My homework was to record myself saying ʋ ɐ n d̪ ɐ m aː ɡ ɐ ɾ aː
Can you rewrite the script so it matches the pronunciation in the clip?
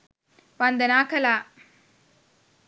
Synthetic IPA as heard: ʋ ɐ n d̪ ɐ n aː k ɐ l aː

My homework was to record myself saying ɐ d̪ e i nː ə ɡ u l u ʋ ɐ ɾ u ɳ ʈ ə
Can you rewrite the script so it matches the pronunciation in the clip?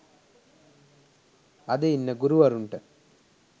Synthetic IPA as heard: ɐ d̪ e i nː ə ɡ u ɾ u ʋ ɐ ɾ u ɳ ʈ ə

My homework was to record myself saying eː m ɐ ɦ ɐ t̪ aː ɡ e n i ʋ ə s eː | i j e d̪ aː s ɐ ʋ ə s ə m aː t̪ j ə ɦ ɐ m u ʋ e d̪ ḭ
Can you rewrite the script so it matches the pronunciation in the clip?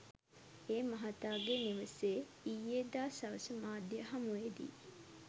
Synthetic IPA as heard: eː m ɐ ɦ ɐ t̪ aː ɡ e n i ʋ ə s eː | i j e d̪ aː s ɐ ʋ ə s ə m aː d̪ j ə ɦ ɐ m u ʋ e d̪ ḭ

